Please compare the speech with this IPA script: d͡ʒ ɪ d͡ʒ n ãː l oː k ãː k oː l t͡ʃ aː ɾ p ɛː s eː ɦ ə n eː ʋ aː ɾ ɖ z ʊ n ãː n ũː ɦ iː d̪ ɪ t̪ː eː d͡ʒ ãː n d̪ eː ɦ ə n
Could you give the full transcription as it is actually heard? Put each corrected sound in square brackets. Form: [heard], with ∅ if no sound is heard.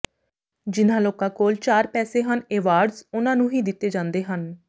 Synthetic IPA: d͡ʒ ɪ [∅] n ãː l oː k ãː k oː l t͡ʃ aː ɾ p ɛː s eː ɦ ə n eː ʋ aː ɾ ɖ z ʊ n ãː n ũː ɦ iː d̪ ɪ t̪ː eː d͡ʒ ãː n d̪ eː ɦ ə n